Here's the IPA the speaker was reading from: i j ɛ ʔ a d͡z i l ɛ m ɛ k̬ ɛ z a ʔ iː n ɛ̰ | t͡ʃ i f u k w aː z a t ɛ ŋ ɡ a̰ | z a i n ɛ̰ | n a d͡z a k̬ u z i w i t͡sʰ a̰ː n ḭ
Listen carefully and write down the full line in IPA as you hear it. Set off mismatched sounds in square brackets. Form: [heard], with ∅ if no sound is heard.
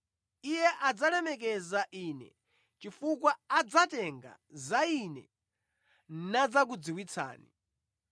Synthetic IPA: i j ɛ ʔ a d͡z [a] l ɛ m ɛ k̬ ɛ z a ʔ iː n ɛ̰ | t͡ʃ i f u k w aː [d͡z] a t ɛ ŋ ɡ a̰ | z a i n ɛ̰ | n a d͡z a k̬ u [d͡z] i w i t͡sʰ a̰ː n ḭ